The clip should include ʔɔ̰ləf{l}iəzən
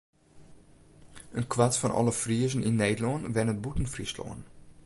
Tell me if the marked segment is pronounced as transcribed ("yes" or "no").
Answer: no